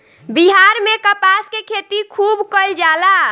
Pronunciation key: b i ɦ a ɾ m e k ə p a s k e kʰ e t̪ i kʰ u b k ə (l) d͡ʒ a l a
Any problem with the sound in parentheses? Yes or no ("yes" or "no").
no